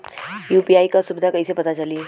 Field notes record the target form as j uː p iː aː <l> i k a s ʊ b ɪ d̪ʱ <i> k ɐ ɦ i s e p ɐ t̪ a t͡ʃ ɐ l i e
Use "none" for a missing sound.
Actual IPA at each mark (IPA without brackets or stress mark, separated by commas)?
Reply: none, a